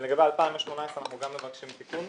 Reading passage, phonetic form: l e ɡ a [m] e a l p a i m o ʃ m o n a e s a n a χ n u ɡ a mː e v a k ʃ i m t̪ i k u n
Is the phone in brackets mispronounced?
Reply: yes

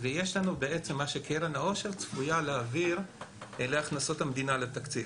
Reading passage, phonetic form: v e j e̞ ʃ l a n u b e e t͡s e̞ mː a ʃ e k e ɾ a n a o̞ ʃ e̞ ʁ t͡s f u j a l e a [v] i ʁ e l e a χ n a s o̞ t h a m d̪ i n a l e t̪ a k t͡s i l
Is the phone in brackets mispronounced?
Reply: no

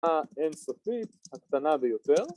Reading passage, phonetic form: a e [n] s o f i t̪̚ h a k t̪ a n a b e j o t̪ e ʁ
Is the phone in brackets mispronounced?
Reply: no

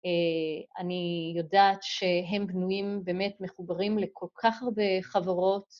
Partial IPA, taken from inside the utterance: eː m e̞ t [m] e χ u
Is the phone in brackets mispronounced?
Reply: no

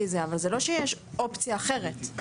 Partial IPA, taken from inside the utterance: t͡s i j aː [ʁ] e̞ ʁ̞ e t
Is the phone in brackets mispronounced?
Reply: yes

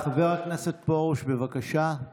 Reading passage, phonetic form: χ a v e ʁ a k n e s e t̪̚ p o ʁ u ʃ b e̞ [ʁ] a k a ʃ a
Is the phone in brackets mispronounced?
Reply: yes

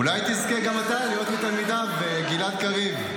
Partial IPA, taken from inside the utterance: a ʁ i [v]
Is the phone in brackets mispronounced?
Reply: no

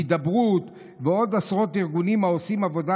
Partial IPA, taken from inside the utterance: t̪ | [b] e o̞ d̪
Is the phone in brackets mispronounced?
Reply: yes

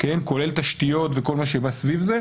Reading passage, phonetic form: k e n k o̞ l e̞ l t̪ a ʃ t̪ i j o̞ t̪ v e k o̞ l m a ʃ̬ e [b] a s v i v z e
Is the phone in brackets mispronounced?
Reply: no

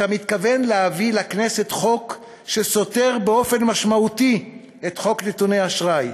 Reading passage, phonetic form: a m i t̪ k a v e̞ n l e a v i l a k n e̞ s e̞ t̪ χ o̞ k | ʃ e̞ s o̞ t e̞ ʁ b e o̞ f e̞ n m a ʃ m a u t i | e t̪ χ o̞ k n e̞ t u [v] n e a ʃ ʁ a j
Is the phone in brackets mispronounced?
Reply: yes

